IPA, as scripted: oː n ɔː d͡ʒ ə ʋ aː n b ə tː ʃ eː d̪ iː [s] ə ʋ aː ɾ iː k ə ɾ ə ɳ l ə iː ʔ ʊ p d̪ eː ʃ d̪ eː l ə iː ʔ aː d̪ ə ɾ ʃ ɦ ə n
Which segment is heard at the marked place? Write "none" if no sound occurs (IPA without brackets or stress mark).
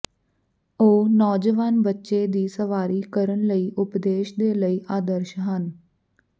s